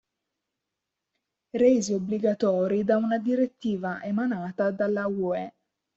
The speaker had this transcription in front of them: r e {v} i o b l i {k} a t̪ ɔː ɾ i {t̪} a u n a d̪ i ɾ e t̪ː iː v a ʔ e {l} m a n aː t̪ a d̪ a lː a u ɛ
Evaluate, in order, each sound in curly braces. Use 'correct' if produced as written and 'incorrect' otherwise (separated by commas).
incorrect, incorrect, incorrect, incorrect